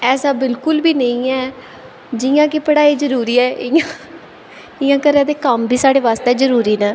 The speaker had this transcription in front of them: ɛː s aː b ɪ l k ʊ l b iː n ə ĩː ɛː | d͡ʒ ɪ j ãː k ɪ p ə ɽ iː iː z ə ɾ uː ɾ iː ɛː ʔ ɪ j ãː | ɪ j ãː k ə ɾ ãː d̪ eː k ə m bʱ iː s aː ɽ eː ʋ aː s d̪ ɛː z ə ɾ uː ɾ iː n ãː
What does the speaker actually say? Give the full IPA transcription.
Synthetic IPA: ɛː s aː b ɪ l k ʊ l b iː n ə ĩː ɛː | d͡ʒ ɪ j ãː k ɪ p ə ɽ aː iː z ə ɾ uː ɾ iː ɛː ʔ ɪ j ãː | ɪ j ãː k ə ɾ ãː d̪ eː k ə m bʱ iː s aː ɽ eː ʋ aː s t̪ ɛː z ə ɾ uː ɾ iː n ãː